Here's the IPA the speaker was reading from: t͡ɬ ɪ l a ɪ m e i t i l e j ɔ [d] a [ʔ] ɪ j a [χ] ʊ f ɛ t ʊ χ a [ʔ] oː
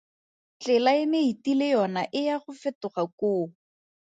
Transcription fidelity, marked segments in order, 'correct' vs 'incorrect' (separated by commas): incorrect, correct, correct, incorrect